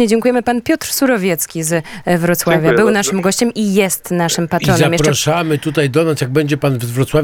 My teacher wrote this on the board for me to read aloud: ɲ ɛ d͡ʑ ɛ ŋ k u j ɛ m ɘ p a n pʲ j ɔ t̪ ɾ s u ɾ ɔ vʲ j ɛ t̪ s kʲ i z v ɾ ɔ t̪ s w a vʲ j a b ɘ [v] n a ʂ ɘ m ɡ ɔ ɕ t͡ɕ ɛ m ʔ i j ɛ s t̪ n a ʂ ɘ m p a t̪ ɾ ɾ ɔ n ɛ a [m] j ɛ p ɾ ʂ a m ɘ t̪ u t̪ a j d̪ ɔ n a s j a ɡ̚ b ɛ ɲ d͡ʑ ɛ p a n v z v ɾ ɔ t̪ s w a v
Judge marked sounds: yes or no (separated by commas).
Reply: no, yes